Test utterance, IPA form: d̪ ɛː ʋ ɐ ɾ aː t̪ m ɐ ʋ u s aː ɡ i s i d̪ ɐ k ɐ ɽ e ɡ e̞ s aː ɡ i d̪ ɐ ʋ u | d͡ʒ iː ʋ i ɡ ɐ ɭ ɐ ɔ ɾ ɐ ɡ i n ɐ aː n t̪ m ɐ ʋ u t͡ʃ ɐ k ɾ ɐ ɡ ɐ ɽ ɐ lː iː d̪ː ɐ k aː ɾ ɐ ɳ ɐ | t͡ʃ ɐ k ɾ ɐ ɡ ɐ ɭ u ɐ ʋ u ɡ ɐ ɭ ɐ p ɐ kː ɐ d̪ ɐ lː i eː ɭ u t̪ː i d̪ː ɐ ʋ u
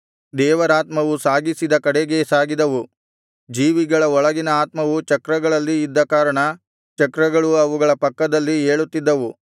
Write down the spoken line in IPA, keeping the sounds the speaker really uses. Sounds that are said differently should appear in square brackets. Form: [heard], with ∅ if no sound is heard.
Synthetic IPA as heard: d̪ ɛː ʋ ɐ ɾ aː t̪ m ɐ ʋ u s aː ɡ i s i d̪ ɐ k ɐ ɽ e ɡ e̞ s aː ɡ i d̪ ɐ ʋ u | d͡ʒ iː ʋ i ɡ ɐ ɭ ɐ ɔ [ɭ] ɐ ɡ i n ɐ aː [∅] t̪ m ɐ ʋ u t͡ʃ ɐ k ɾ ɐ ɡ ɐ [ɭ] ɐ lː iː d̪ː ɐ k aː ɾ ɐ ɳ ɐ | t͡ʃ ɐ k ɾ ɐ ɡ ɐ ɭ u ɐ ʋ u ɡ ɐ ɭ ɐ p ɐ kː ɐ d̪ ɐ lː i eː ɭ u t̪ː i d̪ː ɐ ʋ u